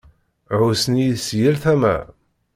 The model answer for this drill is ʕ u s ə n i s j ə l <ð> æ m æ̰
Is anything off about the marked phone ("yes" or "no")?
yes